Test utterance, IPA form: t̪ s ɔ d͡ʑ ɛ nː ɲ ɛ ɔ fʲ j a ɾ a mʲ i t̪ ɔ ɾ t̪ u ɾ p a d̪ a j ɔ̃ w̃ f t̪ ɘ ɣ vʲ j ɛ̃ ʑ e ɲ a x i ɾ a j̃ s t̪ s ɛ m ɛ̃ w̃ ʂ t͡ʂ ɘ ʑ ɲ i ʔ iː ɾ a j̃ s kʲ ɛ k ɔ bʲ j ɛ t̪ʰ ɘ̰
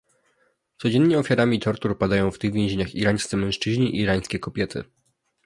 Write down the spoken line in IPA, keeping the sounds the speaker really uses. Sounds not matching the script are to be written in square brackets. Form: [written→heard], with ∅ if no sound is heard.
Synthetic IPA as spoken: t̪ s ɔ d͡ʑ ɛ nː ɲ ɛ ɔ fʲ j a ɾ a mʲ i t̪ ɔ ɾ t̪ u ɾ p a d̪ a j ɔ̃ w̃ f t̪ ɘ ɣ vʲ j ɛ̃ ʑ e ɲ a x i ɾ a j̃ s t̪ s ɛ m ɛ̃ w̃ ʂ t͡ʂ ɘ ʑ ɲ i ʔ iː ɾ a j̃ s kʲ ɛ k ɔ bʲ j ɛ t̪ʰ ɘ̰